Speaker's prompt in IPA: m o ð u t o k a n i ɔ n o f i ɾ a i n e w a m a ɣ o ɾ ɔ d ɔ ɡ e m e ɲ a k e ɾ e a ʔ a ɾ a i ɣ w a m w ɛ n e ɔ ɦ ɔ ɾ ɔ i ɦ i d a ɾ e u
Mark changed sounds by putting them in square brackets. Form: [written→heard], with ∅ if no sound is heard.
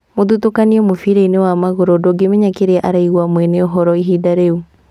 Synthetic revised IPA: m o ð u t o k a n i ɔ [n→m] o f i ɾ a i n e w a m a ɣ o ɾ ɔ d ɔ ɡ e m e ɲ a k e ɾ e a ʔ a ɾ a i ɣ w a m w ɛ n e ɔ ɦ ɔ ɾ ɔ i ɦ i d a ɾ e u